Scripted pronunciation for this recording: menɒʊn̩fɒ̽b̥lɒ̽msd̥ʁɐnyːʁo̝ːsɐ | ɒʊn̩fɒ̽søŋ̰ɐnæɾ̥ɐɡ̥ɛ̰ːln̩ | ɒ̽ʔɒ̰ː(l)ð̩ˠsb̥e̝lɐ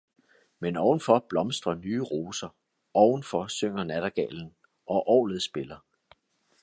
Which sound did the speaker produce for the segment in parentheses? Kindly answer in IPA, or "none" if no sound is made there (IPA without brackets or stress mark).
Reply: l